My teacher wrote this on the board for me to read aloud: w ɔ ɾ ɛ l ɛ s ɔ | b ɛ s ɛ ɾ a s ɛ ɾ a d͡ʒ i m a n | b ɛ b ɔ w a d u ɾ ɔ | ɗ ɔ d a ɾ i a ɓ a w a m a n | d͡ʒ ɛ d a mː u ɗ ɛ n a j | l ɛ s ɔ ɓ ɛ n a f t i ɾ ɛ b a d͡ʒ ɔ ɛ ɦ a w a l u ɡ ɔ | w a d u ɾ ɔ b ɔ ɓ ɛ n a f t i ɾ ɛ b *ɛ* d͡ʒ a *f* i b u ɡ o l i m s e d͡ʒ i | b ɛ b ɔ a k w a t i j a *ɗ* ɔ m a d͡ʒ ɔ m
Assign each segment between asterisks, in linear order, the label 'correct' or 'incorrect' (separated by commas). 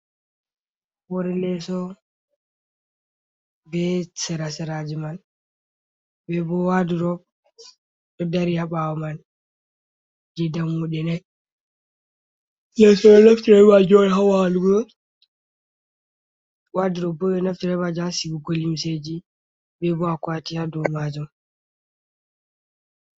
incorrect, incorrect, incorrect